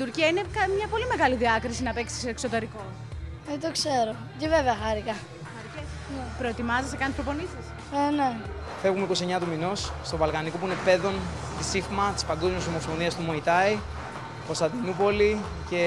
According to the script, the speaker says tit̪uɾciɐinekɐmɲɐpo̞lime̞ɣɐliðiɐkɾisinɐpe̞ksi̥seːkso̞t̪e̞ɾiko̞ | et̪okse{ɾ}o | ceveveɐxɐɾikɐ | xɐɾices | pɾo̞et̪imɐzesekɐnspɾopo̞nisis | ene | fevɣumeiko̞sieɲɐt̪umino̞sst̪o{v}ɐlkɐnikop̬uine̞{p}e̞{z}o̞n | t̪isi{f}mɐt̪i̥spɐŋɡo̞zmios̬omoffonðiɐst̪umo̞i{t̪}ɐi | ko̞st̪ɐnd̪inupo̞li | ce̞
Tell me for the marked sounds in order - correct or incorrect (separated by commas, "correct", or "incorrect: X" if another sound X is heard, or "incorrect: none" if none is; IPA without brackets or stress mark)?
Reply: correct, correct, correct, incorrect: ð, correct, correct